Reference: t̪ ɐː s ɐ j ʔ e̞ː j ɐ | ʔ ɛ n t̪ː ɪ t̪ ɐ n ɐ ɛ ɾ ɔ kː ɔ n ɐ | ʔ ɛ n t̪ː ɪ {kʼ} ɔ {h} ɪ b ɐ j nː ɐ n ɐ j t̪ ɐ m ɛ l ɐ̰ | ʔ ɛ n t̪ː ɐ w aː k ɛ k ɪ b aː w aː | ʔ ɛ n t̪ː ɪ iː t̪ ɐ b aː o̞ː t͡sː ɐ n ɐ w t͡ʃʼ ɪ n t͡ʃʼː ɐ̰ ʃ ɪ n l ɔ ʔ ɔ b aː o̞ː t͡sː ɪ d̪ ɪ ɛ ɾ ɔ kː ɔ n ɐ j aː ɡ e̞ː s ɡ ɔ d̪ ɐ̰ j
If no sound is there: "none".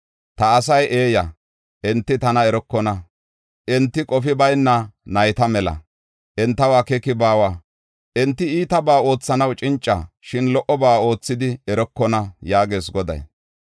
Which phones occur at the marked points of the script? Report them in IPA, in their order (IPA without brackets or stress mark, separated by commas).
kʼ, f